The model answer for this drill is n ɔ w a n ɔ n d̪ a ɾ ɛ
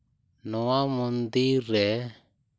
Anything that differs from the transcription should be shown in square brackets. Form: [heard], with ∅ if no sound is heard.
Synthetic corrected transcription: n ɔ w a [m] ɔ n d̪ [i] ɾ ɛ

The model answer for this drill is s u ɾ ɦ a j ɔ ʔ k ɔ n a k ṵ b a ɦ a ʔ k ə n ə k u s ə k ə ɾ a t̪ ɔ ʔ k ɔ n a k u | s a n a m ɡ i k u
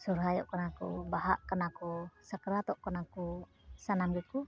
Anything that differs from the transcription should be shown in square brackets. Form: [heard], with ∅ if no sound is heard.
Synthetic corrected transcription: s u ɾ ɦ a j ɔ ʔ k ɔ n a k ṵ b a ɦ a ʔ k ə n [a] k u s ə k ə ɾ a t̪ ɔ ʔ k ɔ n a k u | s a n a m ɡ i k u

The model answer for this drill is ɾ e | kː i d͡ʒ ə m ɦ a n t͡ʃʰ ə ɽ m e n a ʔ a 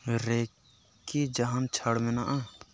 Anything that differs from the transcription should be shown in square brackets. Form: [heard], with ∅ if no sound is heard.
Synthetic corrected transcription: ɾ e | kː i d͡ʒ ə [∅] ɦ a n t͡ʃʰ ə ɽ m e n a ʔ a

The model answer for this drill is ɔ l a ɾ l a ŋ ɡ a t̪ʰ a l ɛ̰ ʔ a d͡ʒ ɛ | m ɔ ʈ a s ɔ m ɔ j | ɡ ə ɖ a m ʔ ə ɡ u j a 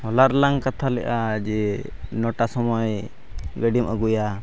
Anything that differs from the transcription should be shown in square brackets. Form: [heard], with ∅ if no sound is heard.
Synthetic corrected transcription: ɔ l a ɾ l a ŋ [k] a t̪ʰ a l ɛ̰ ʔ a d͡ʒ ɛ | [n] ɔ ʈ a s ɔ m ɔ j | ɡ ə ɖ [i] m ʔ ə ɡ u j a

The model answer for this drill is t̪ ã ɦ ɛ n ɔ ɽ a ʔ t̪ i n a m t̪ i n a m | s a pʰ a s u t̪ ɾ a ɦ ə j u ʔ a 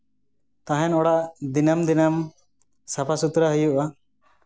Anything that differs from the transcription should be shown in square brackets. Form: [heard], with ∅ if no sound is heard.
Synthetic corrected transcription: t̪ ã ɦ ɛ n ɔ ɽ a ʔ [d̪] i n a m [d̪] i n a m | s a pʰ a s u t̪ ɾ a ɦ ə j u ʔ a

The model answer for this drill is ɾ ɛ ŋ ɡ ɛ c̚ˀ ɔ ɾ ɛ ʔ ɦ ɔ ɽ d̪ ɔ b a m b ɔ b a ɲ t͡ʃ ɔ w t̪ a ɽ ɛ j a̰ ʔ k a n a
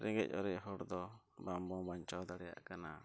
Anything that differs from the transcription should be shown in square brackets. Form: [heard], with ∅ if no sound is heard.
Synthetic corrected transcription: ɾ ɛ ŋ ɡ ɛ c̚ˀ ɔ ɾ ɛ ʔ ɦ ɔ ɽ d̪ ɔ b a m b ɔ b a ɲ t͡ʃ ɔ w [d̪] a ɽ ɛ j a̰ ʔ k a n a

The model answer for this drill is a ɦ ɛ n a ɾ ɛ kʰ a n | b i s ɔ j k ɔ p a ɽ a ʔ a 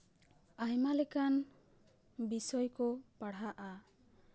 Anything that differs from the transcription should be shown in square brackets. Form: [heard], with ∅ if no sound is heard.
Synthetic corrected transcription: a ɦ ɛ [m] a [l] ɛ [k] a n | b i s ɔ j k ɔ p a ɽ a ʔ a

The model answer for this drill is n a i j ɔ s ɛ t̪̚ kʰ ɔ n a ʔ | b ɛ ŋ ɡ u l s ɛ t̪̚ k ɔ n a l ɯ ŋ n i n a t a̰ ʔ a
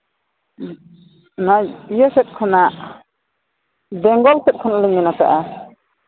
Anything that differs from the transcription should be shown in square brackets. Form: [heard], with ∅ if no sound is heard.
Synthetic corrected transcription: n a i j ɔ s ɛ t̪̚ kʰ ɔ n a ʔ | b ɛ ŋ ɡ [ɔ] l s ɛ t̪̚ [kʰ] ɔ n a l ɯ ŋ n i n a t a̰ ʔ a

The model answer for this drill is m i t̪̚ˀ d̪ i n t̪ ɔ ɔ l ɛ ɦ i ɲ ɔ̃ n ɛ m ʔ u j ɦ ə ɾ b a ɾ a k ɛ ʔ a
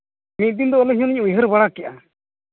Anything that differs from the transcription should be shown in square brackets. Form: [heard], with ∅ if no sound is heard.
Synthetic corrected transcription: m i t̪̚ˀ d̪ i n [d̪] ɔ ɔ l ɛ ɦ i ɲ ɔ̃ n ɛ [ɲ] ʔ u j ɦ ə ɾ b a [ɽ] a k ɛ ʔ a

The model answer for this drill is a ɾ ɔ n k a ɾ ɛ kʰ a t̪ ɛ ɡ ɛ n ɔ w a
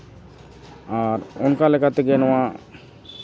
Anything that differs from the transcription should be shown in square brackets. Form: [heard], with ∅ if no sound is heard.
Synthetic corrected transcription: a ɾ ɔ n k a [l] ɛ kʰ a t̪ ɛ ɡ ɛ n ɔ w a

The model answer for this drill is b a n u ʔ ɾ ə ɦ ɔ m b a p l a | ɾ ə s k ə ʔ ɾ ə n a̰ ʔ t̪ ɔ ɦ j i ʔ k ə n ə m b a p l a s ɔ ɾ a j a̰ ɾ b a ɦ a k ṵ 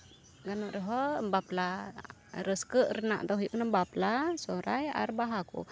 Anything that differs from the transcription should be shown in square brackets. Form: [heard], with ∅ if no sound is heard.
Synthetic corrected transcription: [ɡ] a n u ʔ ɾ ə ɦ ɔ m b a p l a | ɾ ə s k ə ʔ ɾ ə n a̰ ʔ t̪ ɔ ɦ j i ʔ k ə n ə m b a p l a s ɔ ɾ a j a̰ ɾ b a ɦ a k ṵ

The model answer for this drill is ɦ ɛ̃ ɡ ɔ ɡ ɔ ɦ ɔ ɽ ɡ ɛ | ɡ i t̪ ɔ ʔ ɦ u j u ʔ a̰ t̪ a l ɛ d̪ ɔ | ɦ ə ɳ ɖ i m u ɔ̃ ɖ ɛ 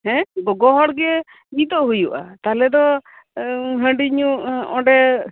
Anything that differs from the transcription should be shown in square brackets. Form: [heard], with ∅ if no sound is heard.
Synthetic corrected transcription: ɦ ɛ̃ ɡ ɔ ɡ ɔ ɦ ɔ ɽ ɡ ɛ | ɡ i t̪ ɔ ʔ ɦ u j u ʔ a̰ t̪ a l ɛ d̪ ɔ | ɦ ə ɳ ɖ i [ɲ] u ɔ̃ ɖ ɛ

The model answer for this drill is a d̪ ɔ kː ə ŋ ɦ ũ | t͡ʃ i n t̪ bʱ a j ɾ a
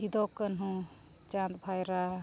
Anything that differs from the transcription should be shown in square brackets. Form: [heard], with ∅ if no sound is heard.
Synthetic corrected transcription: [i] d̪ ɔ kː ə [n] ɦ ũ | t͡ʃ [a] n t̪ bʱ a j ɾ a

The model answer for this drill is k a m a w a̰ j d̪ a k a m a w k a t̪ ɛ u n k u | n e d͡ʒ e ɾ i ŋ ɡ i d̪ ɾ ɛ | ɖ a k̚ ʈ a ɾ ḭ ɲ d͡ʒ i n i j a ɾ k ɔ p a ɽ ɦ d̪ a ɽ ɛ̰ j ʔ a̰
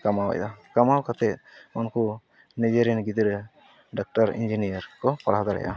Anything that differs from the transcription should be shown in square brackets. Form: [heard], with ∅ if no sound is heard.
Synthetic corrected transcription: k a m a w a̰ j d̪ a k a m a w k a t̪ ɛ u n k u | n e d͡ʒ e ɾ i [n] ɡ i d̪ ɾ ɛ | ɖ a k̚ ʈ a ɾ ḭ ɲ d͡ʒ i n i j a ɾ k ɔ p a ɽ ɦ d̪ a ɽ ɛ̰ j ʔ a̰

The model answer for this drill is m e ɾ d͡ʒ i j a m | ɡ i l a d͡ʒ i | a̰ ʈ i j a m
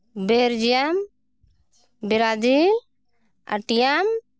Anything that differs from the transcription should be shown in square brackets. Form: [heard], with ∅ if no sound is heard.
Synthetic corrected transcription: [b] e ɾ d͡ʒ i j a m | [b] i [ɾ] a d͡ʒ i | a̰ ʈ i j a m

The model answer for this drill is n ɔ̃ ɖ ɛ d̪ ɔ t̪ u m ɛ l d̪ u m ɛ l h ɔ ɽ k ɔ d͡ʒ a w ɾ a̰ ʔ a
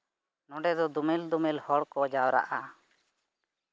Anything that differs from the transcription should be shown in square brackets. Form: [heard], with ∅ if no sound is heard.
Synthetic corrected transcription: n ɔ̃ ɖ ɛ d̪ ɔ [d̪] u m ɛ l d̪ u m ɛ l h ɔ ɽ k ɔ d͡ʒ a w ɾ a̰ ʔ a

